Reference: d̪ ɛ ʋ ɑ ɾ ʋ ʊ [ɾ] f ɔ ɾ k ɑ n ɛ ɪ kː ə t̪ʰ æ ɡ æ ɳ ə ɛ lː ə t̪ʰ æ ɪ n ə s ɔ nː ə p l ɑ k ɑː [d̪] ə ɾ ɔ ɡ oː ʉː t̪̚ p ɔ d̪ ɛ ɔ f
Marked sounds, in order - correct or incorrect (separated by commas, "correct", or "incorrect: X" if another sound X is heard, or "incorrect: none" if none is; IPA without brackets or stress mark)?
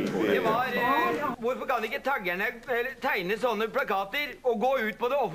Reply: correct, incorrect: t̪